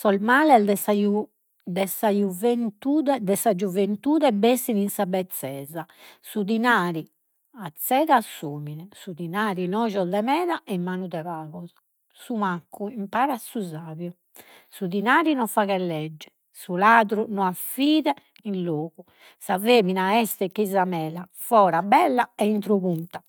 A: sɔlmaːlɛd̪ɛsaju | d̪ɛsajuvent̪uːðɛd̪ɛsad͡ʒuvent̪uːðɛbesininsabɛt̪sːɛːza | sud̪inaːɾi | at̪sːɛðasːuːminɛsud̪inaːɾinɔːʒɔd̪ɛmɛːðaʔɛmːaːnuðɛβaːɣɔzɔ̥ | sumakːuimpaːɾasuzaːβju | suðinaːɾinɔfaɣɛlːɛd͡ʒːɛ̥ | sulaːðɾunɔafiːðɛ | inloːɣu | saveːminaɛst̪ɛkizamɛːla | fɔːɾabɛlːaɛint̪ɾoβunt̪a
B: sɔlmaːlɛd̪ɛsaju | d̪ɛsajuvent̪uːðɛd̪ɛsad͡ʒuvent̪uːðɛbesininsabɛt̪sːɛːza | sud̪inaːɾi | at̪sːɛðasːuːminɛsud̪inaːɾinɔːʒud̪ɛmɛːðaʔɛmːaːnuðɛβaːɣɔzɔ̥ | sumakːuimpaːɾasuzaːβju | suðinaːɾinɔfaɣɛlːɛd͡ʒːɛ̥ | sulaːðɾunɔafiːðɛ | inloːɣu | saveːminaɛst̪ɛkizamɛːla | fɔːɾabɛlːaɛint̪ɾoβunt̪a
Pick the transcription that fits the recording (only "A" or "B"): A